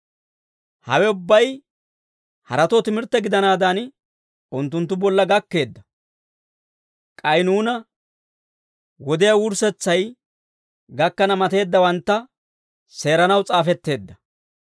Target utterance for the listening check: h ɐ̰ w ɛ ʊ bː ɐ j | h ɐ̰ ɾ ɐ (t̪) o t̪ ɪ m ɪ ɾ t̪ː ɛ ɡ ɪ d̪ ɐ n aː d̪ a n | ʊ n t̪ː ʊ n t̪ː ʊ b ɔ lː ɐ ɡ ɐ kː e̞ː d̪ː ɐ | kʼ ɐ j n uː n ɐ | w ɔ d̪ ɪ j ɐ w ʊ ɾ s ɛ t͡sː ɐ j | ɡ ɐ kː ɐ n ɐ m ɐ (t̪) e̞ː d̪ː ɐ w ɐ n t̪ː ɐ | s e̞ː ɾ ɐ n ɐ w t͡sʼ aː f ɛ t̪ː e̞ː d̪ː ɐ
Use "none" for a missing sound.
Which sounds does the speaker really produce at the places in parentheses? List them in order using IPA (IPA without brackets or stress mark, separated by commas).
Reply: t̪, t̪